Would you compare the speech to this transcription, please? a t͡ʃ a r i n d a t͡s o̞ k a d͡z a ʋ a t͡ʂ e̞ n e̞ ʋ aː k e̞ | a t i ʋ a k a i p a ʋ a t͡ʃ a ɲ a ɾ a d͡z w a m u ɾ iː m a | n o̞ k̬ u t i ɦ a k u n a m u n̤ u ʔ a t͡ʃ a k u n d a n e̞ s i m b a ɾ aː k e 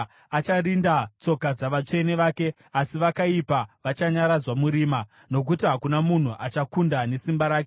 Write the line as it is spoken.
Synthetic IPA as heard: a t͡ʃ a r i n d a t͡s o̞ k a d͡z a ʋ a t͡ʂ e̞ n e̞ ʋ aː k e̞ | a s i ʋ a k a i p a ʋ a t͡ʃ a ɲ a ɾ a d͡z w a m u ɾ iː m a | n o̞ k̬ u t i ɦ a k u n a m u n̤ u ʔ a t͡ʃ a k u n d a n e̞ s i m b a ɾ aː k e